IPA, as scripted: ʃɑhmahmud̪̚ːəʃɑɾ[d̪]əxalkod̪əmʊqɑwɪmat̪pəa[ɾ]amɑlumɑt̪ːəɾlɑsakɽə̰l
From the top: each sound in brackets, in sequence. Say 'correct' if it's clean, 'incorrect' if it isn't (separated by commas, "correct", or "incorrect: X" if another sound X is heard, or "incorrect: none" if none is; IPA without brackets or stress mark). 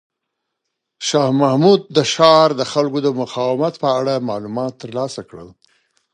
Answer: correct, incorrect: ɽ